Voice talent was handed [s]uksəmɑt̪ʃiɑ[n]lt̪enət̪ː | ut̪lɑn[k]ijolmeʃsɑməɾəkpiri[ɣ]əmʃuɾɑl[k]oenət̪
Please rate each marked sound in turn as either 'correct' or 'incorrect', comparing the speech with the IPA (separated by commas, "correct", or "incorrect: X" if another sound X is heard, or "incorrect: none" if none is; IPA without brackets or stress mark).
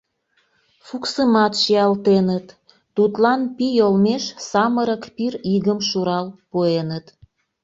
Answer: incorrect: f, incorrect: none, incorrect: p, correct, incorrect: p